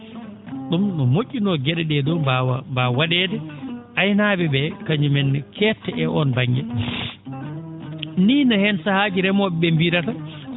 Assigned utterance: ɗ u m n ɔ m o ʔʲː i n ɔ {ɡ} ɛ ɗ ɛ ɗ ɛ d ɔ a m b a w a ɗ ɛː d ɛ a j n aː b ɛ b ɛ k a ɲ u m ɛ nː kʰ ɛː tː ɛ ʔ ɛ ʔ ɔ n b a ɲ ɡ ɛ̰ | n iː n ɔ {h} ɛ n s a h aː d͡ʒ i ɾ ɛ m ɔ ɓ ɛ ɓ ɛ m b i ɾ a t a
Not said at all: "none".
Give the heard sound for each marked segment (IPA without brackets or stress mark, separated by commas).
ɡ, h